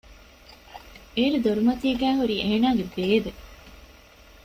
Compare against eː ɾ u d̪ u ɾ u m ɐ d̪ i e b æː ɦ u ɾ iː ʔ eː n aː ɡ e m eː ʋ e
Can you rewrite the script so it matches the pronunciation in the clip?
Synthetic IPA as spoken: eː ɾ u d̪ o ɾ u m ɐ t̪ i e ɡ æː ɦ u ɾ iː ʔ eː n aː ɡ e b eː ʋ e